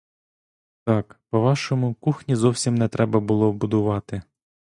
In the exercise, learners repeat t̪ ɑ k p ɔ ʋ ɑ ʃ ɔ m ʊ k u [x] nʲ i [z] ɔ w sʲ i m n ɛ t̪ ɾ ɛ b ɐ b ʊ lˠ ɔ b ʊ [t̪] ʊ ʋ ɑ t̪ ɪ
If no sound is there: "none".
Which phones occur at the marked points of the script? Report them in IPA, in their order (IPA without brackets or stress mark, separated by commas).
x, z, d̪